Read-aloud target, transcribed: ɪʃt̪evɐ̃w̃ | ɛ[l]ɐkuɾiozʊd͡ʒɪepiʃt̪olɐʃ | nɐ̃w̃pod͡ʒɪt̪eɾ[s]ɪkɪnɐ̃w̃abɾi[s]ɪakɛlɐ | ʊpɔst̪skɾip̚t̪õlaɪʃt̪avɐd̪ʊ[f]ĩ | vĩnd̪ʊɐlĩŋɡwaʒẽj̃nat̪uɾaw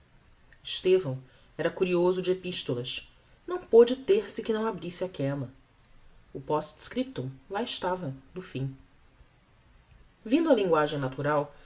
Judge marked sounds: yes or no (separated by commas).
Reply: no, yes, yes, yes